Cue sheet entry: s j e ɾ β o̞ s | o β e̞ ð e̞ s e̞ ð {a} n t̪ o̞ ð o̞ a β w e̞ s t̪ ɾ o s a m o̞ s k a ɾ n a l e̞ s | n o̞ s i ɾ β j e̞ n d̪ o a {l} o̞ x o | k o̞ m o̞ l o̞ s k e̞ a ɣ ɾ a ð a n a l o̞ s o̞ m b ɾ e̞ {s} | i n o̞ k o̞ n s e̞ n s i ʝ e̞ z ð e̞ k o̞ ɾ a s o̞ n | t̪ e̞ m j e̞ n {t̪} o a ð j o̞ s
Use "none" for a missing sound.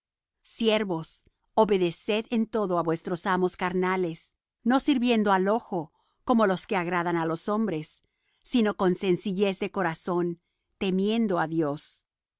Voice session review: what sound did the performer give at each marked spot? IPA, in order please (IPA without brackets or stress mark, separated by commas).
e, l, sː, d̪